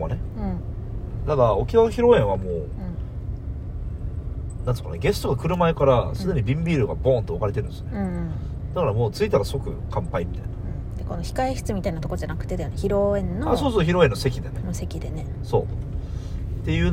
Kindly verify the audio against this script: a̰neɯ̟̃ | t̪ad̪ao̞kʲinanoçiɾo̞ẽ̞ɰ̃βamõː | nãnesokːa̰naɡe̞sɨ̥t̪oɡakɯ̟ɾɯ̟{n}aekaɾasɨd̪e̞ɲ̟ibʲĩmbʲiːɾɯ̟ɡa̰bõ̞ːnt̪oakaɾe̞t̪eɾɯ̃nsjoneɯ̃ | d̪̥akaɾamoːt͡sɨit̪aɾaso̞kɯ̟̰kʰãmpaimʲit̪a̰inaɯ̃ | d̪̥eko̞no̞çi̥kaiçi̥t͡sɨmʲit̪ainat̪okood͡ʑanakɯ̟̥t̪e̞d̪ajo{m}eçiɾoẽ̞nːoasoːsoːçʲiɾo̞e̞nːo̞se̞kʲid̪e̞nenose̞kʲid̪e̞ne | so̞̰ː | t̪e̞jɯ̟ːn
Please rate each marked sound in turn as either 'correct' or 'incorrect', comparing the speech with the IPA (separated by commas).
incorrect, incorrect